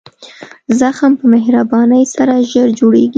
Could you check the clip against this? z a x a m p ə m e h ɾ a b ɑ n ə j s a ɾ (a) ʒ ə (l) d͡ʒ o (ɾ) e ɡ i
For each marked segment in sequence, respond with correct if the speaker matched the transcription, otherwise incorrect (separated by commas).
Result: correct, incorrect, incorrect